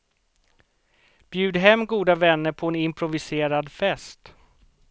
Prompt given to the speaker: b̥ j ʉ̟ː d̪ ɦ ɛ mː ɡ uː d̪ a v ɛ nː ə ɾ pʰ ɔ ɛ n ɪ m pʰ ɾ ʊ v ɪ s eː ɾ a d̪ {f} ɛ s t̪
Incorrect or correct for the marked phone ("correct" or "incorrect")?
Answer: correct